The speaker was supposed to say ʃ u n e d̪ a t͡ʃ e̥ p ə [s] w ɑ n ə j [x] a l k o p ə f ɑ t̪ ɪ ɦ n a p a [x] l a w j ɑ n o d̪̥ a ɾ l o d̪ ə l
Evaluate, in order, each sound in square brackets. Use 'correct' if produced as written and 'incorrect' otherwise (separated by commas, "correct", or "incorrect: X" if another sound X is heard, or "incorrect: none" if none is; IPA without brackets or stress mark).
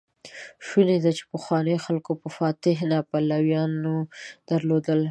incorrect: x, correct, incorrect: none